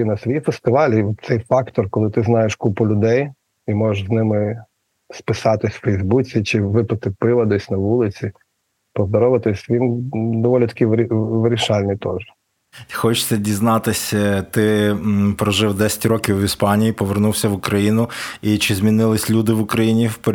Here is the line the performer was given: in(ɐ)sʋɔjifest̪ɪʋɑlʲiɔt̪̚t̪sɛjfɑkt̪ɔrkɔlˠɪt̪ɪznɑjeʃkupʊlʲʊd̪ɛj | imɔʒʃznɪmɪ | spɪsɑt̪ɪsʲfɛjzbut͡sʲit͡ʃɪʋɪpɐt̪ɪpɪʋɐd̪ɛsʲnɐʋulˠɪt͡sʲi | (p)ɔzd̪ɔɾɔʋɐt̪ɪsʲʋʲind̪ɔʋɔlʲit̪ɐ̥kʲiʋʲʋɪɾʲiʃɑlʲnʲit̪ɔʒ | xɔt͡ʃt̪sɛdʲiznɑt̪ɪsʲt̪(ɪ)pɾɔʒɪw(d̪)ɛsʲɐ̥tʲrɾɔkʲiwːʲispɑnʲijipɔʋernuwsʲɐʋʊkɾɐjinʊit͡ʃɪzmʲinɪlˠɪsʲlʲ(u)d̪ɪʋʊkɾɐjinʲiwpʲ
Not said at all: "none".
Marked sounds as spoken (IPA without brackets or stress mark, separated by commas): ɐ, p, ɪ, d̪, u